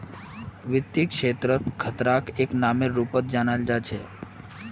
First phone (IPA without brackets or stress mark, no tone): ʋ